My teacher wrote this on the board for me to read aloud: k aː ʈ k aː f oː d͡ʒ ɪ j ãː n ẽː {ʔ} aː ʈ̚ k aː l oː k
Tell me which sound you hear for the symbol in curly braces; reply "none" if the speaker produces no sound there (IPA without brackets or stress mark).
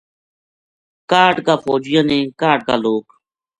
k